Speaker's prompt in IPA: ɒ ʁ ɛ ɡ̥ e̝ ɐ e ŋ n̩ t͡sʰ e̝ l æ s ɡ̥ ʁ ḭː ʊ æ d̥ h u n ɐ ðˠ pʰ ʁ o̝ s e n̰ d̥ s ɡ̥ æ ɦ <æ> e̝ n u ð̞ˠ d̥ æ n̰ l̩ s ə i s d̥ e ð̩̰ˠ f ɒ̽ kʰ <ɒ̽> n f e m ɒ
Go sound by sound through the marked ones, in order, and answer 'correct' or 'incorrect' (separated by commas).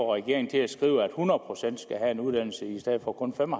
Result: correct, incorrect